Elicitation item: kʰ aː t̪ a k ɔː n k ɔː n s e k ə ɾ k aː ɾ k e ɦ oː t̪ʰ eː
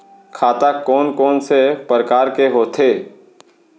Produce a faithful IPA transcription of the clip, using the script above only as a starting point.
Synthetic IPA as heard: kʰ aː t̪ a k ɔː n k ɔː n s e p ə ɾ k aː ɾ k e ɦ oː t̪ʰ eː

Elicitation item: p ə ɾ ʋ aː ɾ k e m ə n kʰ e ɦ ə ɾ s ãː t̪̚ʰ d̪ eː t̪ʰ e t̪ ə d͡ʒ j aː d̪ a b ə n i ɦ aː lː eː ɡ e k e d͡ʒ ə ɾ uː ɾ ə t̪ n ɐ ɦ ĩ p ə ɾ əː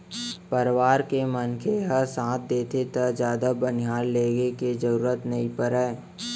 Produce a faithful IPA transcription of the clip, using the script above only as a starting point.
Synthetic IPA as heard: p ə ɾ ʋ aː ɾ k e m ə n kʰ e ɦ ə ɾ s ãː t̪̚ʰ d̪ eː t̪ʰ e t̪ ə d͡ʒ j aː d̪ a b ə n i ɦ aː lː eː ɡ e k e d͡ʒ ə ɾ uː ɾ ə t̪ n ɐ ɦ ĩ p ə ɾ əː

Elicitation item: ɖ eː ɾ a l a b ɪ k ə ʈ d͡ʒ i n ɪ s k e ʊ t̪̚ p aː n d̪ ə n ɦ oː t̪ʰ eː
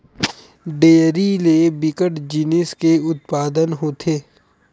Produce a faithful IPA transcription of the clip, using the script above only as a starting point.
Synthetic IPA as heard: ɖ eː ɾ i l e b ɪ k ə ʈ d͡ʒ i n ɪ s k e ʊ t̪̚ p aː d̪ ə n ɦ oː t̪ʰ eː

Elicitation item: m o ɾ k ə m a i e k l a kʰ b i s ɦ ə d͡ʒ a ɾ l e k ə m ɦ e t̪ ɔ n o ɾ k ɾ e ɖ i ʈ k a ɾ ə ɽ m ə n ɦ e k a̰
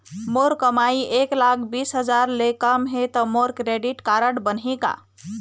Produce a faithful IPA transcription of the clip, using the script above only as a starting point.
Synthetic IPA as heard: m o ɾ k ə m a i e k l a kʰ b i s ɦ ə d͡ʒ a ɾ l e k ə m ɦ e t̪ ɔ m o ɾ k ɾ e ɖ i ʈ k a ɾ ə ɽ b ə n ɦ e k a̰

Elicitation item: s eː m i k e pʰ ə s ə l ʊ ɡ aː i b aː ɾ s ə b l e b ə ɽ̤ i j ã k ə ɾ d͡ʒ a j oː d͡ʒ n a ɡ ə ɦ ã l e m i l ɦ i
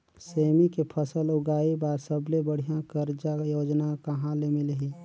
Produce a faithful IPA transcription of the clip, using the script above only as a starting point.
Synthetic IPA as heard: s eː m i k e pʰ ə s ə l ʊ ɡ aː i b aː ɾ s ə b l e b ə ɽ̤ i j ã k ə ɾ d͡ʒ a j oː d͡ʒ n a k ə ɦ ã l e m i l ɦ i

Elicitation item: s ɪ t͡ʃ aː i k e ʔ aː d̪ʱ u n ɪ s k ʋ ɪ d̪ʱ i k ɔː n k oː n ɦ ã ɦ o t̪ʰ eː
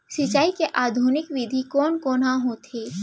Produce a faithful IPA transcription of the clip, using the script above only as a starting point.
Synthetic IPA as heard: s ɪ t͡ʃ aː i k e ʔ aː d̪ʱ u n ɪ k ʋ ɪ d̪ʱ i k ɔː n k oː n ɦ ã ɦ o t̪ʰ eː

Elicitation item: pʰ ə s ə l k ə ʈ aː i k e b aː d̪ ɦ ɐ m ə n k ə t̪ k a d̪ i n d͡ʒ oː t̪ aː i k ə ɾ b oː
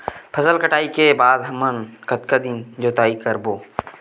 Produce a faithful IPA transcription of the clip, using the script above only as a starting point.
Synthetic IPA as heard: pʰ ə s ə l k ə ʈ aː i k e b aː d̪ ɦ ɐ m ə n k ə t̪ k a d̪ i n d͡ʒ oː t̪ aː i k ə ɾ b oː

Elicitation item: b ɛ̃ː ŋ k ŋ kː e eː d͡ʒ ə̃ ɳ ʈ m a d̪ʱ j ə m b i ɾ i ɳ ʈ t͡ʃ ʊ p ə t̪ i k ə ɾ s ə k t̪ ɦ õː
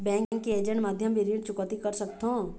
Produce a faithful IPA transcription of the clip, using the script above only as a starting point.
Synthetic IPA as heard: b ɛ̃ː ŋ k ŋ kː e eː d͡ʒ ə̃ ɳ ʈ m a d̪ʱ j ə m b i ɾ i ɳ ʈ t͡ʃ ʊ k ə t̪ i k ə ɾ s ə k t̪ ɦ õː

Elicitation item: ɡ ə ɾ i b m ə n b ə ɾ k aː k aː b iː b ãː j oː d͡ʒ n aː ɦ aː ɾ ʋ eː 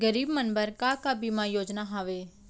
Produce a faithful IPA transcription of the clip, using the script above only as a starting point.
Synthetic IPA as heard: ɡ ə ɾ iː b m ə n b ə ɾ k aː k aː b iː m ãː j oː d͡ʒ n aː ɦ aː ʋ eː

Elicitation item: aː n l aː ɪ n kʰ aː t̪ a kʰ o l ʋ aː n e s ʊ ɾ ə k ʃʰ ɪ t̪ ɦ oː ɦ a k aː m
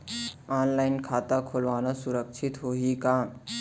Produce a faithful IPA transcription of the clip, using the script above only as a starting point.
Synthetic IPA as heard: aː n l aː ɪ n kʰ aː t̪ a kʰ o l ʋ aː n a s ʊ ɾ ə k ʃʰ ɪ t̪ ɦ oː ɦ i k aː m

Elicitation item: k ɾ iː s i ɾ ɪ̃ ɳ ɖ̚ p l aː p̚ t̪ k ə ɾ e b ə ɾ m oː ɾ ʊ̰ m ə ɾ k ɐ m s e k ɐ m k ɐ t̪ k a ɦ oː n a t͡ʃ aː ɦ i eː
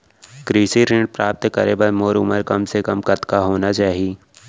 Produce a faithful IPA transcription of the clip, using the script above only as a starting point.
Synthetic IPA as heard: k ɾ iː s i ɾ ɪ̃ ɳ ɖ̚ p ɾ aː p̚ t̪ k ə ɾ e b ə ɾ m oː ɾ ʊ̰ m ə ɾ k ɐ m s e k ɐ m k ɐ t̪ k a ɦ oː n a t͡ʃ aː ɦ i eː

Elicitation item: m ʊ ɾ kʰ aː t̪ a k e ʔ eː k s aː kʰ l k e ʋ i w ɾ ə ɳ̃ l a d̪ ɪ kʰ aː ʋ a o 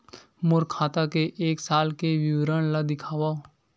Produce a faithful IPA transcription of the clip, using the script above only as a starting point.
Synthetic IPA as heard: m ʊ ɾ kʰ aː t̪ a k e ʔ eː k s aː l k e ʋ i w ɾ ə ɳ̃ l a d̪ ɪ kʰ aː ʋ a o

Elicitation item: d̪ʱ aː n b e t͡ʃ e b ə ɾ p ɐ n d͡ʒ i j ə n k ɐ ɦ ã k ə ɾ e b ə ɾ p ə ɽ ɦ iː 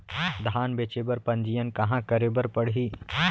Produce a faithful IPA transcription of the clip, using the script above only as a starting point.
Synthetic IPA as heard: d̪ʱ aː n b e t͡ʃ e b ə ɾ p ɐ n d͡ʒ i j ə n k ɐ ɦ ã k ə ɾ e b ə ɾ p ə ɽ ɦ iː

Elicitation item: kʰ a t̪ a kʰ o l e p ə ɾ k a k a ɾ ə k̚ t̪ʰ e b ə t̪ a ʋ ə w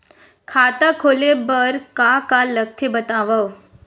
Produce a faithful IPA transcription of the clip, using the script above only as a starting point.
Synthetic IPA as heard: kʰ a t̪ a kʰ o l e b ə ɾ k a k a l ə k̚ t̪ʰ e b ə t̪ a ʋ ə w

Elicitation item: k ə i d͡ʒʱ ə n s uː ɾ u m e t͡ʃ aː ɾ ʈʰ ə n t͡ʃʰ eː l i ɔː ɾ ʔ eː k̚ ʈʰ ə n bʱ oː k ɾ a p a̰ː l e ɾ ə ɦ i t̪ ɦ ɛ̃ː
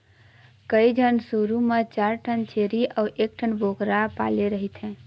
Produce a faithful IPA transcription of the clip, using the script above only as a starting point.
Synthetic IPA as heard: k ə i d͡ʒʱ ə n s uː ɾ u m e t͡ʃ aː ɾ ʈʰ ə n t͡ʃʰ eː ɾ i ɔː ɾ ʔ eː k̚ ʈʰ ə n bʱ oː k ɾ a p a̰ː l e ɾ ə ɦ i t̪ ɦ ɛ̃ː

